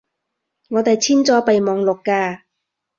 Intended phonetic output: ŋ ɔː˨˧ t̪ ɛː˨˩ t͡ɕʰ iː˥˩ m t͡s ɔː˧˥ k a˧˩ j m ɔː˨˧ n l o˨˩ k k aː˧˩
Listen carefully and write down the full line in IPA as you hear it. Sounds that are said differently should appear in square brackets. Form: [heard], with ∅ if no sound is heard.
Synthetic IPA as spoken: ŋ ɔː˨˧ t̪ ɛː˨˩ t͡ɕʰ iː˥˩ [n] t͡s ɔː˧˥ [p] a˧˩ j m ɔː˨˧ [ŋ] l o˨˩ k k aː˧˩